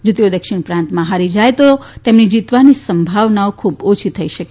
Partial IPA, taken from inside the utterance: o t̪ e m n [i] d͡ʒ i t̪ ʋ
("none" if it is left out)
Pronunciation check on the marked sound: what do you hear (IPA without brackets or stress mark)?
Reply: i